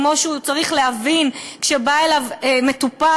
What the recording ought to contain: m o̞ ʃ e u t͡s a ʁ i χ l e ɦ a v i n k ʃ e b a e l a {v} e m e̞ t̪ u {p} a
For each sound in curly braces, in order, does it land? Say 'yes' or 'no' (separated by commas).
yes, yes